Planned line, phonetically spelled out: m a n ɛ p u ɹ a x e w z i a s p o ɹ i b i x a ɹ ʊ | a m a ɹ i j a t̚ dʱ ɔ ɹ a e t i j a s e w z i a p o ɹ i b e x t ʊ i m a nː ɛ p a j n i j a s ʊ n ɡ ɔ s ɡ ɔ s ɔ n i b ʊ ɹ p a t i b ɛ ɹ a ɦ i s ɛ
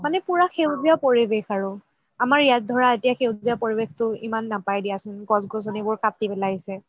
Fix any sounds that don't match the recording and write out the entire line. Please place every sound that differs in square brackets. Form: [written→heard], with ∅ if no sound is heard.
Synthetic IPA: m a n ɛ p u ɹ a x e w z i a [s→∅] p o ɹ i b [i→e] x a ɹ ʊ | a m a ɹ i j a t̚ dʱ ɔ ɹ a e t i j a [s→x] e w z i a p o ɹ i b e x t ʊ i m a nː [ɛ→a] p a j [n→d] i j a s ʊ n ɡ ɔ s ɡ ɔ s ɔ n i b ʊ ɹ [p→k] a t i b ɛ [ɹ→l] a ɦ i s ɛ